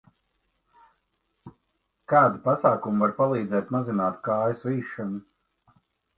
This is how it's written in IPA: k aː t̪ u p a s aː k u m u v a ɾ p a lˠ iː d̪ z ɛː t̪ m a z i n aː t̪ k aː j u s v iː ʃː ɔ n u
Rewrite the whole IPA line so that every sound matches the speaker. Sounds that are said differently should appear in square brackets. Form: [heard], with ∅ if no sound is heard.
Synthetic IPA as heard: k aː [d̪] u p a s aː k u m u v a ɾ p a lˠ iː d̪ z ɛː t̪ m a z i n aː t̪ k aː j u s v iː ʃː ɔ n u